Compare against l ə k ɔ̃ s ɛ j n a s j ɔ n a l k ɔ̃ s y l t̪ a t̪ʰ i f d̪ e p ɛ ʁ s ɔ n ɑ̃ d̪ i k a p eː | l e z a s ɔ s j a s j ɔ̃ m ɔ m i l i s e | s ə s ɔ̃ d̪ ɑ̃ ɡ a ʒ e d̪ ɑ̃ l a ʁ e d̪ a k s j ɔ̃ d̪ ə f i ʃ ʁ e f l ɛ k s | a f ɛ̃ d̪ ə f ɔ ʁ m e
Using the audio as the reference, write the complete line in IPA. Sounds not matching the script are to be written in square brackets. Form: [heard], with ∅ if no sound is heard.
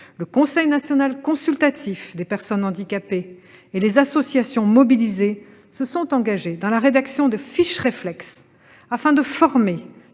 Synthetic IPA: l ə k ɔ̃ s ɛ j n a s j ɔ n a l k ɔ̃ s y l t̪ a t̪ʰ i f d̪ e p ɛ ʁ s ɔ n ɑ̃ d̪ i k a p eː | l e z a s ɔ s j a s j ɔ̃ m ɔ [b] i l i [z] e | s ə s ɔ̃ [t̪] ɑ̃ ɡ a ʒ e d̪ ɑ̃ l a ʁ e d̪ a k s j ɔ̃ d̪ ə f i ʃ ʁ e f l ɛ k s | a f ɛ̃ d̪ ə f ɔ ʁ m e